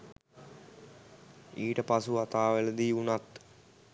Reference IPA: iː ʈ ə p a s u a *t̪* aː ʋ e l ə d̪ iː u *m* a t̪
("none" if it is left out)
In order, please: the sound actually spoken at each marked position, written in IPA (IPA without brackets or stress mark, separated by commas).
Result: t̪, n